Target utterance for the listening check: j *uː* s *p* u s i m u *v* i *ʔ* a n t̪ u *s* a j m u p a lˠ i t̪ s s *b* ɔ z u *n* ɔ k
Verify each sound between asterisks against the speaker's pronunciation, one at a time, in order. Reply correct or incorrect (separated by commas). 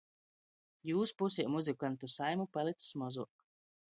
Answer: correct, correct, incorrect, incorrect, correct, incorrect, incorrect